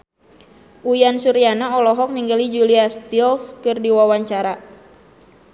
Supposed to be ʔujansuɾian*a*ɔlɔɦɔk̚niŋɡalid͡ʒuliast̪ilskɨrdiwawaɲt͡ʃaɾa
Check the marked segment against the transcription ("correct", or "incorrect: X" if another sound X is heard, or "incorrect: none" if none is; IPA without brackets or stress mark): correct